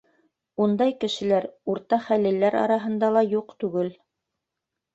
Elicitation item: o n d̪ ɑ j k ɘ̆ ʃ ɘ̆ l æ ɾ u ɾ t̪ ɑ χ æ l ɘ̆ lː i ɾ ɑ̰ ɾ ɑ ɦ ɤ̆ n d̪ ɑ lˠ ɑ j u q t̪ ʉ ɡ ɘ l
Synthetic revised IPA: u n d̪ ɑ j k ɘ̆ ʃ ɘ̆ l æ ɾ u ɾ t̪ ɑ χ æ l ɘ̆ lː æ ɾ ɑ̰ ɾ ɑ ɦ ɤ̆ n d̪ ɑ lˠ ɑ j u q t̪ ʉ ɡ ɘ l